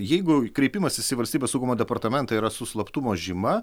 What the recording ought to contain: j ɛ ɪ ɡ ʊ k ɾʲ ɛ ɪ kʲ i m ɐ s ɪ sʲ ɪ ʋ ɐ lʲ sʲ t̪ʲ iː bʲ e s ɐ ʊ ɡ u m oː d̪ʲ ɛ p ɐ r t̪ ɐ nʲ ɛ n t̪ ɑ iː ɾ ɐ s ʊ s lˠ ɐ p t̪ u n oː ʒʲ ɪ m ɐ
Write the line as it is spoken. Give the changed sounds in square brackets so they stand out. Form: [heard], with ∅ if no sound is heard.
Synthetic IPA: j ɛ ɪ ɡ ʊ k ɾʲ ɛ ɪ [pʲ] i m ɐ s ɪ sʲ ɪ ʋ ɐ lʲ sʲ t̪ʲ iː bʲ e s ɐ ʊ ɡ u m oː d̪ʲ ɛ p ɐ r t̪ ɐ [mʲ] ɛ n t̪ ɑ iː ɾ ɐ s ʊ s lˠ ɐ p t̪ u [m] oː ʒʲ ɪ m ɐ